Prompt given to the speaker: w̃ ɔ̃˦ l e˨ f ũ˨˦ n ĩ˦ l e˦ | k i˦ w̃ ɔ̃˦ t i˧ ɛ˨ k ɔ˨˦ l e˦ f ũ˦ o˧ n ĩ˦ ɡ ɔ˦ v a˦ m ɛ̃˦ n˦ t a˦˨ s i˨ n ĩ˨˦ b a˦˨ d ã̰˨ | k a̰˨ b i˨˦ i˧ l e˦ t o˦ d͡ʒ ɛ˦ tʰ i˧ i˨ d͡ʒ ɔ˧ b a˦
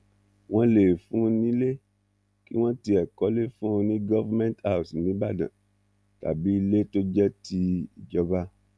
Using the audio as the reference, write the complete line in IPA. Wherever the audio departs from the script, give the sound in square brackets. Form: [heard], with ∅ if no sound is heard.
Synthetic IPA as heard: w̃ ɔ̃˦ l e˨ f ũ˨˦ n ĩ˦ l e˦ | k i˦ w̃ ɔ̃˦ t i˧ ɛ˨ k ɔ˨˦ l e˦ f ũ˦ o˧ n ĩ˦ ɡ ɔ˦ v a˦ m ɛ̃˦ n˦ t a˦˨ s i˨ n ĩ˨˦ b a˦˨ d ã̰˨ | [t] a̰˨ b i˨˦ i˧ l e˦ t o˦ d͡ʒ ɛ˦ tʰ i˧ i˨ d͡ʒ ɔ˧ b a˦